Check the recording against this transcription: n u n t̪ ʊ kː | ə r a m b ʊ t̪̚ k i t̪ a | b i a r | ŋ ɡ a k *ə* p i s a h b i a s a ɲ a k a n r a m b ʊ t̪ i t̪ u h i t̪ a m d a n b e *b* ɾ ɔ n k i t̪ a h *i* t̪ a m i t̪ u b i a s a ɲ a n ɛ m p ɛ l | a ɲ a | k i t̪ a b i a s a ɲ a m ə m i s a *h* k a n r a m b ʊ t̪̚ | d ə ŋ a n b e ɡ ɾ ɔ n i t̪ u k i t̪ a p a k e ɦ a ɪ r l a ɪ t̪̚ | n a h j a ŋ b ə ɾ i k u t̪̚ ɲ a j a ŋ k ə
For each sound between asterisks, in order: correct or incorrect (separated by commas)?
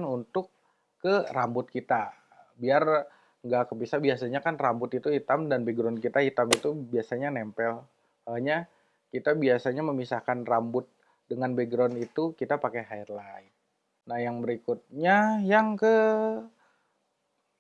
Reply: correct, incorrect, correct, correct